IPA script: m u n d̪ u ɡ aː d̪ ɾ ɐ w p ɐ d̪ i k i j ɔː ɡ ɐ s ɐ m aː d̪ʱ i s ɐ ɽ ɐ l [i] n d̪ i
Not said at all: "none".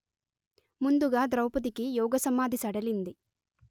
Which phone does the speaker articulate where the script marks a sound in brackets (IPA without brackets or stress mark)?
i